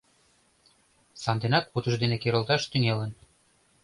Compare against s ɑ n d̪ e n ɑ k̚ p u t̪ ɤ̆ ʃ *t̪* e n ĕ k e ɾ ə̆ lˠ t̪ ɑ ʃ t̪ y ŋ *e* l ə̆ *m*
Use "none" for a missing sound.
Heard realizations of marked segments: d̪, e, n

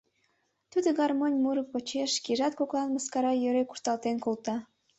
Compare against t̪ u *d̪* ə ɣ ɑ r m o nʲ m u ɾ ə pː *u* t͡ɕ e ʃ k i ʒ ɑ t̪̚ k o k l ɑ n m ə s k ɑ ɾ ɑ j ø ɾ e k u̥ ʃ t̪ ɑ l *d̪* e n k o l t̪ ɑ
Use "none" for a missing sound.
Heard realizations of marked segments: d̪, o, t̪

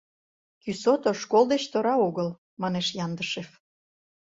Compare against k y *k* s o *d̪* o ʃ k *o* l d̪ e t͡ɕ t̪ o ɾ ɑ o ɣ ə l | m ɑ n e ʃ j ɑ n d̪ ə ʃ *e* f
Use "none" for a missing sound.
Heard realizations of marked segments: none, t̪, o, e

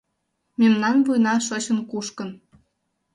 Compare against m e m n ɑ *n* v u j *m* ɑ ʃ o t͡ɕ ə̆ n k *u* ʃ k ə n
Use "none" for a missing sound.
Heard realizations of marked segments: n, n, u

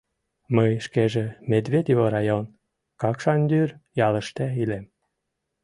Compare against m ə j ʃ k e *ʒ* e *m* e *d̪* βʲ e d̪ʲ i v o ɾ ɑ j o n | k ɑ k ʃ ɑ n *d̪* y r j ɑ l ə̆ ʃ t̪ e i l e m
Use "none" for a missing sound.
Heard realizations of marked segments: ʒ, m, d̪, d̪

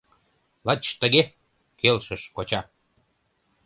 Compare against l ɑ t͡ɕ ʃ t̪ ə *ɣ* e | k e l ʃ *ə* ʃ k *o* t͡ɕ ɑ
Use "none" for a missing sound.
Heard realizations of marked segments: ɣ, ə, o

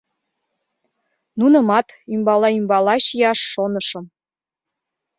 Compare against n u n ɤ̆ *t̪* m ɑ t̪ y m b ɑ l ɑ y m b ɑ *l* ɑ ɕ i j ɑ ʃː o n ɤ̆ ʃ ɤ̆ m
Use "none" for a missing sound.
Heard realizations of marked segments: none, l

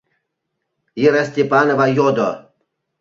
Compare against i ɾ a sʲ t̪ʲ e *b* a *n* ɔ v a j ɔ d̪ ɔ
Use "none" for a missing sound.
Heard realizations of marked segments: p, n

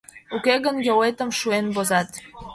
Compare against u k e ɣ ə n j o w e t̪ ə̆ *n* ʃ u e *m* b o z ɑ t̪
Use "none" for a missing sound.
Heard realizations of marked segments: m, n

